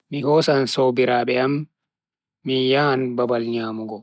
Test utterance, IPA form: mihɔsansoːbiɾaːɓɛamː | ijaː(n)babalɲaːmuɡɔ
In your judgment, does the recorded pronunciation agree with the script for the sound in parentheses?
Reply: yes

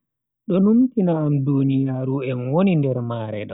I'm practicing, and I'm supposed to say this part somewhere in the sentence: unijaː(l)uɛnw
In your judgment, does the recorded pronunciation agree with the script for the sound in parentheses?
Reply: no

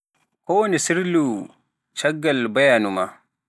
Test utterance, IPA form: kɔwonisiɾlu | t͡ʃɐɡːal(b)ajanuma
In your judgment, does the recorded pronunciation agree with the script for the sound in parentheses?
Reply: yes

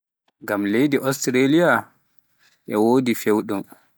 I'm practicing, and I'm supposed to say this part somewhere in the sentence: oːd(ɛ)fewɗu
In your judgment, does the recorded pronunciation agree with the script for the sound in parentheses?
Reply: no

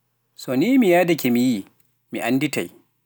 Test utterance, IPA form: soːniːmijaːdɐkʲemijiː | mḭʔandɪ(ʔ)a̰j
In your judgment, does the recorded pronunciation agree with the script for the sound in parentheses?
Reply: no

